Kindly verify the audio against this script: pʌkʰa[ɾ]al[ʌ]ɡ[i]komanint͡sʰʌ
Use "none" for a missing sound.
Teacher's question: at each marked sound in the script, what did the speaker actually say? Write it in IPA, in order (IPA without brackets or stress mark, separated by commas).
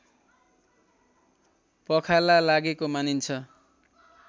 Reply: l, a, e